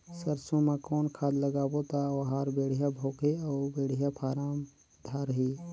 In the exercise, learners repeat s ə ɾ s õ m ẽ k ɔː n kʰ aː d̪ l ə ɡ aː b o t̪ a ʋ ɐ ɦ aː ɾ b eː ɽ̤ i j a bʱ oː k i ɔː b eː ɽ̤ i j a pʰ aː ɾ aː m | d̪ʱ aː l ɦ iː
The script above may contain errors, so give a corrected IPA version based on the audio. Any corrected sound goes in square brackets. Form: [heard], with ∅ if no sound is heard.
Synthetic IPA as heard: s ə ɾ s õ m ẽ k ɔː n kʰ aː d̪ l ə ɡ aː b o t̪ a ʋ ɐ ɦ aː ɾ b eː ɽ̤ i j a bʱ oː k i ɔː b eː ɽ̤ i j a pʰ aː ɾ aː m | d̪ʱ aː [ɾ] ɦ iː